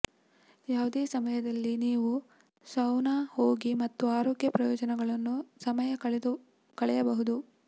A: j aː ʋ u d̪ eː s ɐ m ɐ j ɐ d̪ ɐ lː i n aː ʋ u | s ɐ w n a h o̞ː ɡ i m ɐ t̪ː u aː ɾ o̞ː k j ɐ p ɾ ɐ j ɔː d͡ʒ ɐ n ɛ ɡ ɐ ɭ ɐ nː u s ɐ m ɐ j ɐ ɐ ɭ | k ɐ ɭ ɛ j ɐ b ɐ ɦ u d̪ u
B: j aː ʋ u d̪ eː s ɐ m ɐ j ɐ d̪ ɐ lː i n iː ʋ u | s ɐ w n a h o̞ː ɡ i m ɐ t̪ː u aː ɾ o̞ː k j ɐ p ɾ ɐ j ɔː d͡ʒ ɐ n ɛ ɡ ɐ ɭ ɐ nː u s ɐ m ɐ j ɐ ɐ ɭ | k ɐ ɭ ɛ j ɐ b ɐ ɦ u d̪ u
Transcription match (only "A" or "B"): B